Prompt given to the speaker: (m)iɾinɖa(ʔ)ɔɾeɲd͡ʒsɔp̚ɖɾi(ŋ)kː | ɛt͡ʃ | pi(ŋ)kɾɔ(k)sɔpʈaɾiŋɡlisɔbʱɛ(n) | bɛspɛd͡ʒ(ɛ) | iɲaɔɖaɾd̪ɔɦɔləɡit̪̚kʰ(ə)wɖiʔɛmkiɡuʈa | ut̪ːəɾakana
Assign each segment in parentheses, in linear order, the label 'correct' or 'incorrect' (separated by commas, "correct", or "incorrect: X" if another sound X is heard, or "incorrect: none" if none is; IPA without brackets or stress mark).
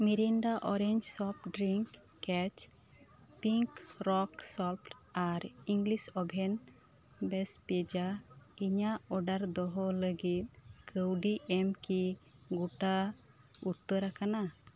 correct, correct, correct, correct, correct, correct, incorrect: a, correct